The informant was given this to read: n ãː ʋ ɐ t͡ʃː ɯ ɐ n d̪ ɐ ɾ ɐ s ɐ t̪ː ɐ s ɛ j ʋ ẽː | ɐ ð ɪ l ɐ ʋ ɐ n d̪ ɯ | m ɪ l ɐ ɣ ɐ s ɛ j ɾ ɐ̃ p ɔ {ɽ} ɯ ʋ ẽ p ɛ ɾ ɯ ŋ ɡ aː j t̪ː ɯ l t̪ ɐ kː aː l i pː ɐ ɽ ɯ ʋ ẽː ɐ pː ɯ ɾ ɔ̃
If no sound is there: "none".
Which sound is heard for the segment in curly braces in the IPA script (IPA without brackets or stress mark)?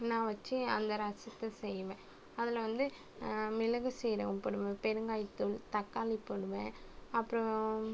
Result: ɽ